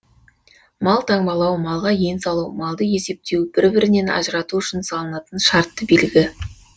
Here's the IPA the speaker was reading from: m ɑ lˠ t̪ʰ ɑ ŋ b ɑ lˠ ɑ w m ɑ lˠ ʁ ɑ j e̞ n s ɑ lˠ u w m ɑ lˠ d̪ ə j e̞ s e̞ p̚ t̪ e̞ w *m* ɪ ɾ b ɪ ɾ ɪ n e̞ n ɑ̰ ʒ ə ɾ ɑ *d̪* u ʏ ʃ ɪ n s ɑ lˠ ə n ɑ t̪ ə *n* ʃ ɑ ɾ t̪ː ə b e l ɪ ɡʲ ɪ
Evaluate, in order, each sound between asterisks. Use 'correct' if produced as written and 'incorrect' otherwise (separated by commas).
incorrect, incorrect, correct